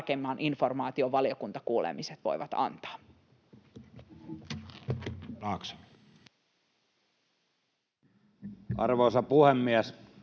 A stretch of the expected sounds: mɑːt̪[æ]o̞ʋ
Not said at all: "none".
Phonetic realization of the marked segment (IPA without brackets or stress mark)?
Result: i